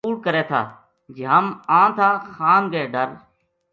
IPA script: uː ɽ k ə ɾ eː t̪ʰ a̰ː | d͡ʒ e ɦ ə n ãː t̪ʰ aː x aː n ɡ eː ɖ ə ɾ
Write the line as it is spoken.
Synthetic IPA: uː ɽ k ə ɾ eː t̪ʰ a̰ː | d͡ʒ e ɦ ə m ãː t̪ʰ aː x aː n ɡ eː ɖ ə ɾ